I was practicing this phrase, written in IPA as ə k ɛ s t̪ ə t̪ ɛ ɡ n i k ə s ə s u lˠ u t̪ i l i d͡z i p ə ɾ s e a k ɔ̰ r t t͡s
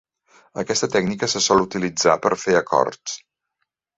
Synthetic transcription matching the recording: ə k ɛ s t̪ ə t̪ ɛ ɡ n i k ə s ə s ɔ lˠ u t̪ i l i d͡z a p ə ɾ f e ə k ɔ̰ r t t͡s

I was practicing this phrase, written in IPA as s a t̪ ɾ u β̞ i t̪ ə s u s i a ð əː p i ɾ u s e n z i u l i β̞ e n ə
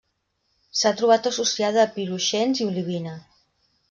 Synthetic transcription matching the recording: s a t̪ ɾ u β̞ a t̪ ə s u s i a ð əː p i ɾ u ʃ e n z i u l i β̞ i n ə

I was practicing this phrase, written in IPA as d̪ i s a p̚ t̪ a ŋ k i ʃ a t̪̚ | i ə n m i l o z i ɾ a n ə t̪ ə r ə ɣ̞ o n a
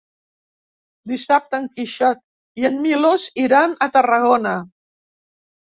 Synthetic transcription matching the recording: d̪ i s a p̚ t̪ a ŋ k i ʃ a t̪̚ | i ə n m i l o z i ɾ a n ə t̪ ə r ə ɣ̞ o n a

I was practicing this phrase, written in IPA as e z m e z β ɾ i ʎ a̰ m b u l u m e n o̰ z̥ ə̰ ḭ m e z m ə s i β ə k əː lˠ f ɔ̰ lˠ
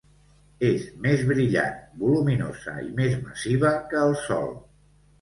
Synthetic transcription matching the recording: e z m e z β ɾ i ʎ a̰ n b u l u m i n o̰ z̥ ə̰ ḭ m e z m ə s i β ə k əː lˠ s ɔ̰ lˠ

